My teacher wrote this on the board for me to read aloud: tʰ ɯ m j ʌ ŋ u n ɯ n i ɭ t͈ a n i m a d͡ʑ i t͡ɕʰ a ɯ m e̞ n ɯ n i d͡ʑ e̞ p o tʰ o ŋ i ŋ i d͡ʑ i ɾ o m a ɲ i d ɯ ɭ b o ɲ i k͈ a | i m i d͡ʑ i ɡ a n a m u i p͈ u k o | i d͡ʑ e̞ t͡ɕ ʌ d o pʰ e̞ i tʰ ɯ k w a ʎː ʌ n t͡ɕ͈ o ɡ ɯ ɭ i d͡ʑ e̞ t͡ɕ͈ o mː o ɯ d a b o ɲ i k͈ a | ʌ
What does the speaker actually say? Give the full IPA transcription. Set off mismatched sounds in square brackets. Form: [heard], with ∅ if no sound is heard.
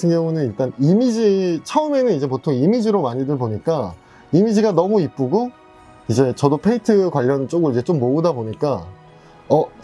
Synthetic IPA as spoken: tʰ ɯ [ŋ] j ʌ ŋ u n ɯ n i ɭ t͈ a n i m [i] d͡ʑ i t͡ɕʰ [ʌ] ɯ m e̞ n ɯ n i d͡ʑ e̞ p o tʰ o ŋ i [m] i d͡ʑ i ɾ o m a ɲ i d ɯ ɭ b o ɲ i k͈ a | i m i d͡ʑ i ɡ a n [ʌ] m u i p͈ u [ɡ] o | i d͡ʑ e̞ t͡ɕ ʌ d o pʰ e̞ i tʰ ɯ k w a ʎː ʌ n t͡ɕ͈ o ɡ ɯ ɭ i d͡ʑ e̞ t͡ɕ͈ o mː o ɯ d a b o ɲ i k͈ a | ʌ